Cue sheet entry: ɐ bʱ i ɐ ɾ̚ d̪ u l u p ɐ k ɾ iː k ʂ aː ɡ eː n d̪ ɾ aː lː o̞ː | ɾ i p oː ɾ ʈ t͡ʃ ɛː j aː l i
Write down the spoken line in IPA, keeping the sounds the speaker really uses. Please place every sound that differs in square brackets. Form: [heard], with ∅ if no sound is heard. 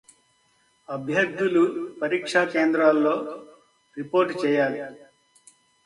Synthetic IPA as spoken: ɐ bʱ [j] ɐ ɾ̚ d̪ u l u p ɐ [∅] ɾ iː k ʂ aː [k] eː n d̪ ɾ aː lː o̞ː | ɾ i p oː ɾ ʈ t͡ʃ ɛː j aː l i